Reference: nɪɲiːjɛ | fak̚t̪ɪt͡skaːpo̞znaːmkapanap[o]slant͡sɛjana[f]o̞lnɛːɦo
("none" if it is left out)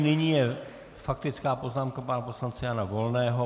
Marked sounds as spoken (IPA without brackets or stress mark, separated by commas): o, v